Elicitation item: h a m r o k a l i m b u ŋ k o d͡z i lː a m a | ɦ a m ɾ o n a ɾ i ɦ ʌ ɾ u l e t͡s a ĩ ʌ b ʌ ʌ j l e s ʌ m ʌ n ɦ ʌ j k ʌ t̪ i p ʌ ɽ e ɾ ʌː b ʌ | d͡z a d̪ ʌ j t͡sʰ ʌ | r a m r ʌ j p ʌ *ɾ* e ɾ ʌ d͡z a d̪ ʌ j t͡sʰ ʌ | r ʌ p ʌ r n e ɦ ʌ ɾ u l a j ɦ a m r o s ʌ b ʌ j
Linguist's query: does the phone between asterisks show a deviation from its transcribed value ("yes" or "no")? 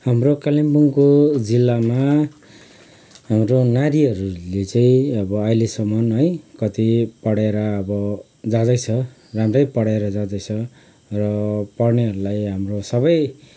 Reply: yes